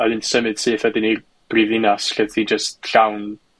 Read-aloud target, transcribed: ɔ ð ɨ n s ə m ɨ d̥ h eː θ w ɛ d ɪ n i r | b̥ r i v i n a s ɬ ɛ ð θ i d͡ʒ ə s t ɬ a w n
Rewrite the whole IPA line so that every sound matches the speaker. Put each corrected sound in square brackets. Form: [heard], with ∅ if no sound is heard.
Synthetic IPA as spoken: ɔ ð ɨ n s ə m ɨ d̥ [s] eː θ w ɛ d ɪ n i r | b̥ r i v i n a s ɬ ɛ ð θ i d͡ʒ ə s t ɬ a w n